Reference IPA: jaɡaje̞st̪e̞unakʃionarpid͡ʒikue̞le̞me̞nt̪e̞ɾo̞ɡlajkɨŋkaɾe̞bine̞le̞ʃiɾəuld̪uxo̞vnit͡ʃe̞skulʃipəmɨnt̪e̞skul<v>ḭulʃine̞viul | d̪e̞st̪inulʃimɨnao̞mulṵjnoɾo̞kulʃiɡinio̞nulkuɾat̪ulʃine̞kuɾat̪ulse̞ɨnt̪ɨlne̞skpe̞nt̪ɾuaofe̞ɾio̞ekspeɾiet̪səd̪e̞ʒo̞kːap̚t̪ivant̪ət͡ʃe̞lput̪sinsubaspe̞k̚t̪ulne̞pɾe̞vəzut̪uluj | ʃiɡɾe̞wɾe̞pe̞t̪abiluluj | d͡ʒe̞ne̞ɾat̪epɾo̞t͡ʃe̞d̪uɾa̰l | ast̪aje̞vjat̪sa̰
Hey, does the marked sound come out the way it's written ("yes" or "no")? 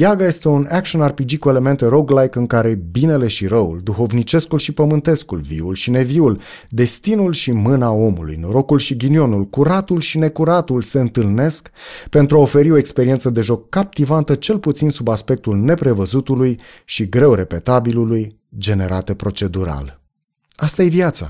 yes